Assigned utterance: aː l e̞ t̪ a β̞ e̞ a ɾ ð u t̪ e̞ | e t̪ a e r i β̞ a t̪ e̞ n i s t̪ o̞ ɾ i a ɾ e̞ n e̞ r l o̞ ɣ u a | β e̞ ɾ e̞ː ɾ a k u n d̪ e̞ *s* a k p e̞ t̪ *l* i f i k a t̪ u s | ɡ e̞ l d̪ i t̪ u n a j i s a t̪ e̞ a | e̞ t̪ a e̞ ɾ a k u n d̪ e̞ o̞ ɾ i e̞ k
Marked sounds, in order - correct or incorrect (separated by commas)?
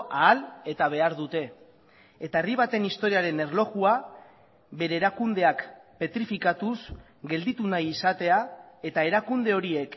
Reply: incorrect, incorrect